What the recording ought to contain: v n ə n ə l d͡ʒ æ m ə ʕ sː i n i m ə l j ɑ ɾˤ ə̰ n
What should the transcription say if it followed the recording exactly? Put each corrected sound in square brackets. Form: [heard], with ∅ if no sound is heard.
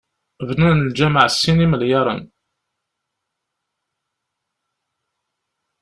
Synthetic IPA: v n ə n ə l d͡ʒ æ m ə ʕ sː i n i m ə l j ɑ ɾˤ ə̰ n

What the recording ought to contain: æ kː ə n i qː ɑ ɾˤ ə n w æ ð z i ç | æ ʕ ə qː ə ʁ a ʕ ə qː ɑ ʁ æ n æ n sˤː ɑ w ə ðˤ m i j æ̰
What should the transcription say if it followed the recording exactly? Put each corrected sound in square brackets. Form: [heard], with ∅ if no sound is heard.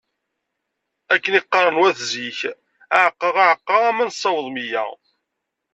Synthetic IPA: æ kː ə n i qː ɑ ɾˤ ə n w æ [θ] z i ç | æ ʕ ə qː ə ʁ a ʕ ə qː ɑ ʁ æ [m] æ n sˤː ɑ w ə ðˤ m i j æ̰

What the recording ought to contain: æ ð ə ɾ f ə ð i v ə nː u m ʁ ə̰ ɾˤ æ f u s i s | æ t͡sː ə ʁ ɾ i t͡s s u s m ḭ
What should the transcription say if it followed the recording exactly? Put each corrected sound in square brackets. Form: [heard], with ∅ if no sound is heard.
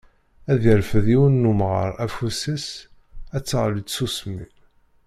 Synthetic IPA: æ ð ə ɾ f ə ð i [w] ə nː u m ʁ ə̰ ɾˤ æ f u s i s | æ t͡sː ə ʁ [l] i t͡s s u s m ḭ

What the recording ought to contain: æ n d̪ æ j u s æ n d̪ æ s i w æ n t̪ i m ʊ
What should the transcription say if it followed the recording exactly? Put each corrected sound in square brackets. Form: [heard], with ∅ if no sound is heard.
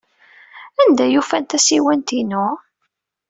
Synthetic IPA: æ n d̪ æ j u [f] æ n [t̪] æ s i w æ n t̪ i [n] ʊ

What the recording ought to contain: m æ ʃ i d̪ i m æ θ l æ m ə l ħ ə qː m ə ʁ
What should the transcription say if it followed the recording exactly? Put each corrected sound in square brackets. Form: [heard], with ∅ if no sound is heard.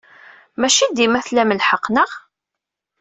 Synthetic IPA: m æ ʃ i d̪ i m æ θ l æ m ə l ħ ə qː [n] ə ʁ

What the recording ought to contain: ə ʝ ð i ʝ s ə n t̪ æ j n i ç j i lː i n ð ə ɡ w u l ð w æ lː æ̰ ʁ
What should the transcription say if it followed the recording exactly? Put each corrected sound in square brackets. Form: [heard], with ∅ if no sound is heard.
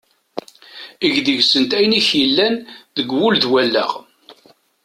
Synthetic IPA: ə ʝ ð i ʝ s ə n t̪ æ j n i ç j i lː [æ] n ð ə ɡ w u l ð w æ lː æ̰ ʁ

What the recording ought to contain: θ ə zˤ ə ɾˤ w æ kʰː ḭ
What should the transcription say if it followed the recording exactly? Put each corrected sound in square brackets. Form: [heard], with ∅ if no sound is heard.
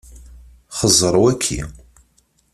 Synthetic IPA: [χ] ə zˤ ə ɾˤ w æ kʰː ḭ

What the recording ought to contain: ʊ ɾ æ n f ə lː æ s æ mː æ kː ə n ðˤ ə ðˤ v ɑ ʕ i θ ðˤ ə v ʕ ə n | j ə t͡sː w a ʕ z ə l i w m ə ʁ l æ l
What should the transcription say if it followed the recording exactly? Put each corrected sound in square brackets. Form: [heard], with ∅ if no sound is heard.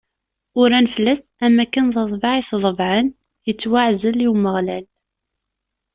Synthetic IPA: ʊ ɾ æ n f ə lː æ s æ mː æ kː ə n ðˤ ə ðˤ v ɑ ʕ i θ ðˤ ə v ʕ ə n | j ə t͡sː w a ʕ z ə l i w m ə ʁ l æ l

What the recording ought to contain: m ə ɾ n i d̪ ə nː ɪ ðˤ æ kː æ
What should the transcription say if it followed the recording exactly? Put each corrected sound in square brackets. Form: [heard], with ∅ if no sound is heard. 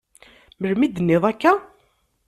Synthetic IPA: m ə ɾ [m] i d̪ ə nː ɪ ðˤ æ kː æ

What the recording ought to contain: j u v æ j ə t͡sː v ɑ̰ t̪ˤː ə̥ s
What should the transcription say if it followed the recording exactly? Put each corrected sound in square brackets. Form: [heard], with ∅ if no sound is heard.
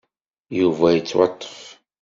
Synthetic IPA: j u v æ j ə t͡sː [w] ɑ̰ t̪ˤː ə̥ [f]

